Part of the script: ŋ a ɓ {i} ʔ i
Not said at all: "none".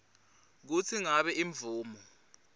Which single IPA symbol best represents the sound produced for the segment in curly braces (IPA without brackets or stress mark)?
ɛ